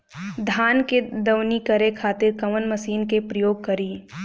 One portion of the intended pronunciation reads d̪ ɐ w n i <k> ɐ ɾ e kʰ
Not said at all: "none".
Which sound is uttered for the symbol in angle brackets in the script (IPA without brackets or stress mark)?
k